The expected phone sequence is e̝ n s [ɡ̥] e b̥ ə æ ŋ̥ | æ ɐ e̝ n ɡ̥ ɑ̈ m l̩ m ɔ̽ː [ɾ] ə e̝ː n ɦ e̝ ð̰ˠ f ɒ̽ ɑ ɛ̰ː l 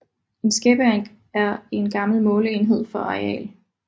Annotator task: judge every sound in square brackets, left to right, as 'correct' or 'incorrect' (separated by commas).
correct, incorrect